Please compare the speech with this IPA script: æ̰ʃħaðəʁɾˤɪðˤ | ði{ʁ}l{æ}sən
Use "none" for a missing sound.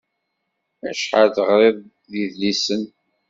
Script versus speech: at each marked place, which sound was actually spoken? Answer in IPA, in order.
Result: ð, i

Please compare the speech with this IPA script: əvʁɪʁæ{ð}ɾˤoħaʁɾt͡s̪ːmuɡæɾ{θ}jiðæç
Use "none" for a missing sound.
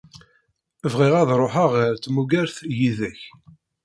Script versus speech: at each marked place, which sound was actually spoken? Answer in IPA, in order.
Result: ð, θ

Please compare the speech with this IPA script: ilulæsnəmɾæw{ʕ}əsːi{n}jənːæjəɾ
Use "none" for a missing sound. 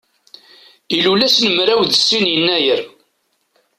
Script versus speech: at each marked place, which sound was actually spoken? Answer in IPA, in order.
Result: ð, n

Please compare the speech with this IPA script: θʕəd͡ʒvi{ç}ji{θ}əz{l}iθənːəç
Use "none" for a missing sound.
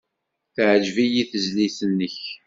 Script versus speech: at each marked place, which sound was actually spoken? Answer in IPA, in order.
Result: none, θ, l

